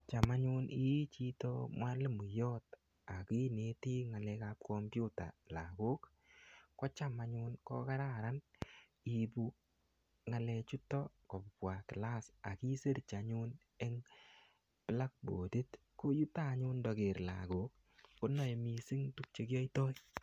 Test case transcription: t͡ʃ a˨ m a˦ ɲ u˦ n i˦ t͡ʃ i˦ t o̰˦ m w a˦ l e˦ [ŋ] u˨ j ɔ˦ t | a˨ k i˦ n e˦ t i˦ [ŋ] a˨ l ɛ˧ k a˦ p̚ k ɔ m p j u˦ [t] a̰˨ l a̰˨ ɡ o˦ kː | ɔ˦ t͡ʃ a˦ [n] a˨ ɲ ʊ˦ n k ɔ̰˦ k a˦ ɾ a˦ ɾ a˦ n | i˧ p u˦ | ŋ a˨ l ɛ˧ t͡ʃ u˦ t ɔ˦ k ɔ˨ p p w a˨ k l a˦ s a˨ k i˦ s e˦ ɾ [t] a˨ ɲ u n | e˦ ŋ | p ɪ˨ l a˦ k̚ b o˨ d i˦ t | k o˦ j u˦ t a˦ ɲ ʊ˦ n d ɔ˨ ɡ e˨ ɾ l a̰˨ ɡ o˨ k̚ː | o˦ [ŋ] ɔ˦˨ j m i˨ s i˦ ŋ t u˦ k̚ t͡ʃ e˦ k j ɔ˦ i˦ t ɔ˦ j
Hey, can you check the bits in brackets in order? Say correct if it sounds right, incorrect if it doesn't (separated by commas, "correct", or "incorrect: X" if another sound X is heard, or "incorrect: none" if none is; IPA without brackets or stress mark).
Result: incorrect: m, correct, correct, incorrect: m, incorrect: t͡ʃ, incorrect: n